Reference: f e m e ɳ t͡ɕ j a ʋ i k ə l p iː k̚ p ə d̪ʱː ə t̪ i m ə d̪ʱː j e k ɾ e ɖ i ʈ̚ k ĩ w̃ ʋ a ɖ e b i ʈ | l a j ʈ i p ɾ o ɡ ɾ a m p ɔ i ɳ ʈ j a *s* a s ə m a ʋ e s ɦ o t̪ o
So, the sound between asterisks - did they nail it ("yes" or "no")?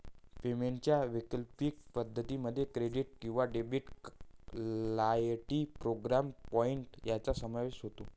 no